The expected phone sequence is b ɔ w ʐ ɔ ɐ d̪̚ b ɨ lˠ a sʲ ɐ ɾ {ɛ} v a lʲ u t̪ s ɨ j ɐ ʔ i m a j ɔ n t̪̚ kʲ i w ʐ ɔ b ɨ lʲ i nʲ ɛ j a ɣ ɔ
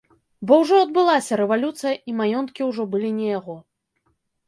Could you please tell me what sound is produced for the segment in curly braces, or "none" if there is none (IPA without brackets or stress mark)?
ɛ